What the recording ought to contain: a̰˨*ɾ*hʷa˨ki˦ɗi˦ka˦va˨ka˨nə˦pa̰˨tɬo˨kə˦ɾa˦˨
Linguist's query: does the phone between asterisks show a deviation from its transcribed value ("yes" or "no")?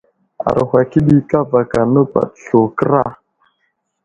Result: no